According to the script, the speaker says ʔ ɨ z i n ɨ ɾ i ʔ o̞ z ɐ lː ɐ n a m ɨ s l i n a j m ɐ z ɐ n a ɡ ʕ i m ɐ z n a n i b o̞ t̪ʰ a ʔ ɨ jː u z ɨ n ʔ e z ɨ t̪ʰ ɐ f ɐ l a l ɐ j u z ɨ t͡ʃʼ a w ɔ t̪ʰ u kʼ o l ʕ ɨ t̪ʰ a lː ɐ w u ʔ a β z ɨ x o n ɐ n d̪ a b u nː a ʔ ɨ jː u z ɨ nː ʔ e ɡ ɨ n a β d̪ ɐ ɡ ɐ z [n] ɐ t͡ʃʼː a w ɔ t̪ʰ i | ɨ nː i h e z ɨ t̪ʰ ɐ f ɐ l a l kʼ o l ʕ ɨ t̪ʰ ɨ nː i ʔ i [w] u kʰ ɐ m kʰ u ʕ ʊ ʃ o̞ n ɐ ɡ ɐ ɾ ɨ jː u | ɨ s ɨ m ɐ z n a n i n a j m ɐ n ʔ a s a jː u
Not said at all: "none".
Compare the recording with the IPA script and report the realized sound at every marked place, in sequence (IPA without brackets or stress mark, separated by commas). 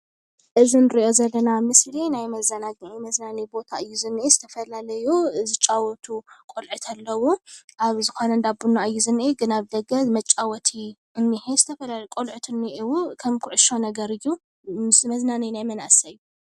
m, w